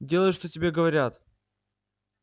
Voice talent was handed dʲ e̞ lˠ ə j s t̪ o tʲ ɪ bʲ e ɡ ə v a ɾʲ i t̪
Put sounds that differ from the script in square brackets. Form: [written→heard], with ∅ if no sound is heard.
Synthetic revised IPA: dʲ e̞ lˠ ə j [s→ʂ] t̪ o tʲ ɪ bʲ e ɡ ə v [a→ɐ] ɾʲ [i→a] t̪